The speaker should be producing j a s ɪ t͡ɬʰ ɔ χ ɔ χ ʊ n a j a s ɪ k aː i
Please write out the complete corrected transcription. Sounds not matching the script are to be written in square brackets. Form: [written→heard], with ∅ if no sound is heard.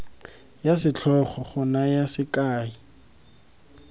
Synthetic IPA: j a s ɪ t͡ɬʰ ɔ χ ɔ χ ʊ n a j a s ɪ k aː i